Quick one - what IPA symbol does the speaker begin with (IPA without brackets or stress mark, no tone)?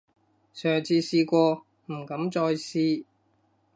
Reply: s